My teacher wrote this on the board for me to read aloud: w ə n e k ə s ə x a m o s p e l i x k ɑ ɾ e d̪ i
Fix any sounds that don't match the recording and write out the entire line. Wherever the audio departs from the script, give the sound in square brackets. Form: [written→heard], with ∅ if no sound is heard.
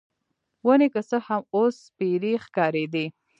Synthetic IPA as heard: w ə n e k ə s ə [x→h] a m o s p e [l→ɾ] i x k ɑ ɾ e d̪ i

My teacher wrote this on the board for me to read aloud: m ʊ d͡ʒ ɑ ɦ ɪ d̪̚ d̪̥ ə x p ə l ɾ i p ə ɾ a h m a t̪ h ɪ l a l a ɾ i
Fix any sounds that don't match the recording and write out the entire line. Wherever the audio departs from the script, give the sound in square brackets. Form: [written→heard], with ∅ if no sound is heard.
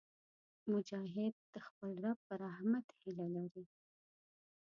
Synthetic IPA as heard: m ʊ d͡ʒ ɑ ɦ ɪ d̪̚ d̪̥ ə x p ə l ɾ [i→a] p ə ɾ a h m a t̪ h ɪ l a l a ɾ i

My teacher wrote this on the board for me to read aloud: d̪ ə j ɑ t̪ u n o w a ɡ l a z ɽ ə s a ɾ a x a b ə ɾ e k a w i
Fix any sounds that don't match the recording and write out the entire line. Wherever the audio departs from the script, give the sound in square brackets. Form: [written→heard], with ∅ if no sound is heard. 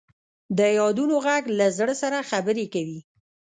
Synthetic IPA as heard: d̪ ə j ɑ [t̪→d̪] u n o [w→ɣ] a ɡ l a z ɽ ə s a ɾ a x a b ə ɾ e k a w i

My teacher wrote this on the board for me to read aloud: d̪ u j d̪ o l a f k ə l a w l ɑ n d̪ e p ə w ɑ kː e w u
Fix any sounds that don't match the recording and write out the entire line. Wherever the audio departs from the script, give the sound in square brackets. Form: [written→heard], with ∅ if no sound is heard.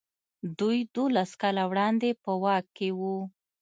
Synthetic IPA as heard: d̪ u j d̪ o l a [f→s] k [ə→ɑ] l a w [l→ɽ] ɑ n d̪ e p ə w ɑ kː e w u

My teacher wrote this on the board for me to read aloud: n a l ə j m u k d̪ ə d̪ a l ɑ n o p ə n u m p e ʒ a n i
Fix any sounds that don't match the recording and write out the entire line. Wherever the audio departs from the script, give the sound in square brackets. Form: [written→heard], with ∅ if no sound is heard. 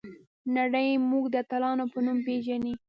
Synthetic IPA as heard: n a [l→ɽ] ə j m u [k→ɡ] d̪ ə [d̪→t̪] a l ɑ n o p ə n u m p e ʒ a n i

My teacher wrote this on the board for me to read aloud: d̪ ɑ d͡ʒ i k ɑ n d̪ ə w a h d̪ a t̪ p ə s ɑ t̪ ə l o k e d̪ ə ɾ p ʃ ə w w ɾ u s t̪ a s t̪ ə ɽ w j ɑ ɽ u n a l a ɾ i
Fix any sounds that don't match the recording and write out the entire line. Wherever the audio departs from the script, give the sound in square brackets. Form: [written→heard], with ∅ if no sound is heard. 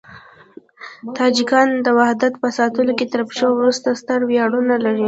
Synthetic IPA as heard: [d̪→t̪] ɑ d͡ʒ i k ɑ n d̪ ə w a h d̪ a t̪ p ə s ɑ t̪ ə l o k e [d̪→t̪] ə ɾ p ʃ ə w w ɾ u s t̪ a s t̪ ə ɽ w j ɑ ɽ u n a l a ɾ i

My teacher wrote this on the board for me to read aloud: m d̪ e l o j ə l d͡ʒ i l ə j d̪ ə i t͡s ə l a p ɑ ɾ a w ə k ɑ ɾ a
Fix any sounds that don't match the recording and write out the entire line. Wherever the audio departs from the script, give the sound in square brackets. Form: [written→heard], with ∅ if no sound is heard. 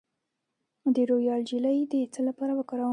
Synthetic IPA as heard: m d̪ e [l→ɾ] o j [ə→ɑ] l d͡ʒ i l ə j d̪ ə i t͡s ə l a p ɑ ɾ a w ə k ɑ ɾ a

